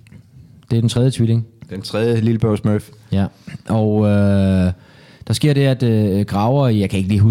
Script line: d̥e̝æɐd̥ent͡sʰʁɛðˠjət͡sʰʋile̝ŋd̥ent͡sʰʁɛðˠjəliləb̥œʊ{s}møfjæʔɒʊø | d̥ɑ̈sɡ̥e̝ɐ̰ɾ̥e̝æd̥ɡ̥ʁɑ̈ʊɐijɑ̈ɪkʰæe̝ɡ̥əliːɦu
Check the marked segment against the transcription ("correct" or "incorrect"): correct